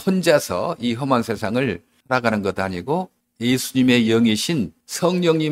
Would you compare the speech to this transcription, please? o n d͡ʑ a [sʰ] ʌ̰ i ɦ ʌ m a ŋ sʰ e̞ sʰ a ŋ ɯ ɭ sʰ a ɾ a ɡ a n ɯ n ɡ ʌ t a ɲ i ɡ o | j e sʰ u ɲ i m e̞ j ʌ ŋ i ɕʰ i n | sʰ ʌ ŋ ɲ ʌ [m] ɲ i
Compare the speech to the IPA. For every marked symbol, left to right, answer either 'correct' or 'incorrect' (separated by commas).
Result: correct, incorrect